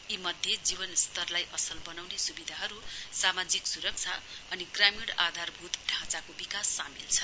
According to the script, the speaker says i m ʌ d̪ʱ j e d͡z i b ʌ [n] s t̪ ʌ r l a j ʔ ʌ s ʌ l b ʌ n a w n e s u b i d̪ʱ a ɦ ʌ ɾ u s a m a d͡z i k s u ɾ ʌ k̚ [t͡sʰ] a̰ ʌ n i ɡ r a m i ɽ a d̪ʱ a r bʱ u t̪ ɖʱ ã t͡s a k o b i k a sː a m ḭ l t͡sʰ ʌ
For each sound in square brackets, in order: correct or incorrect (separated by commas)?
correct, correct